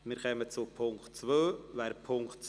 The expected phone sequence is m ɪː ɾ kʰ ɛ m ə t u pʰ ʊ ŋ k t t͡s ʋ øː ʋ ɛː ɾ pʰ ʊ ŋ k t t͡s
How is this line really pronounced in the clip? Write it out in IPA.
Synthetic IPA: m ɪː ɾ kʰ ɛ m ə t͡s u pʰ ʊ ŋ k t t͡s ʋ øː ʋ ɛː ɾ pʰ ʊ ŋ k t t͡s